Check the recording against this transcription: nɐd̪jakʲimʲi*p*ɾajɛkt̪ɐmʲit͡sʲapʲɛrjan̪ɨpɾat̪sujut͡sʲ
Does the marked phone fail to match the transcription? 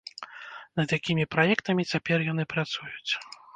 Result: no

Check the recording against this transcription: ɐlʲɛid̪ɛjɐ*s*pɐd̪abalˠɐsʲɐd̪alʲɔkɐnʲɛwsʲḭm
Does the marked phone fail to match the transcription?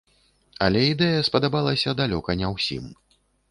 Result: no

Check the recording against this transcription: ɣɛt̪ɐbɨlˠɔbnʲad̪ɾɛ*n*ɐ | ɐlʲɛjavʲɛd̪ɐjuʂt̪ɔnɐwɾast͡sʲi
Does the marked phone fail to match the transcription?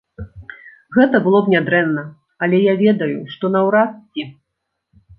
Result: yes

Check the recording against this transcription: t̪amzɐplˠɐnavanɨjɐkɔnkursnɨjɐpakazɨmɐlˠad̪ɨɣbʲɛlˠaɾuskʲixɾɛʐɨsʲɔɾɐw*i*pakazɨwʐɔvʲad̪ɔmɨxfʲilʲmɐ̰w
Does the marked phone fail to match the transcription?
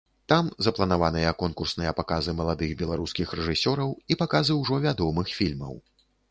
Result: no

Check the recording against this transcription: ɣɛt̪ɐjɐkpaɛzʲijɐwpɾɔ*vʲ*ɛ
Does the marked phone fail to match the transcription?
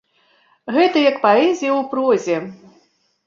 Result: yes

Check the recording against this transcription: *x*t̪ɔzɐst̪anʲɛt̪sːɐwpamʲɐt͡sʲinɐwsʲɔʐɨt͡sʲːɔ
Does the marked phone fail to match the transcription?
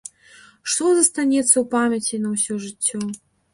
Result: yes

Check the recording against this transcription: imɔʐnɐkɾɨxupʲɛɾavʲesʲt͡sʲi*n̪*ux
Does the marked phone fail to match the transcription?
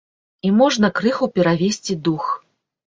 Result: yes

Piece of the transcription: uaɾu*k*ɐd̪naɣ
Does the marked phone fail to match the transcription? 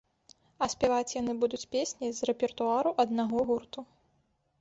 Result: yes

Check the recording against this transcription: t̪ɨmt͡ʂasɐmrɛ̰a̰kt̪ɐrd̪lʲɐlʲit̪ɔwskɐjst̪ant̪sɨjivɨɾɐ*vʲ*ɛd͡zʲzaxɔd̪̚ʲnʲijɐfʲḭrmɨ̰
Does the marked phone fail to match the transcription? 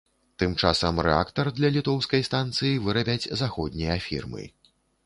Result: yes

